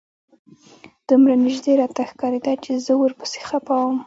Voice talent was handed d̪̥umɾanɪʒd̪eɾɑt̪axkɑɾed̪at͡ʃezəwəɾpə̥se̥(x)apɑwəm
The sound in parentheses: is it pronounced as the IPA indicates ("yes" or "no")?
yes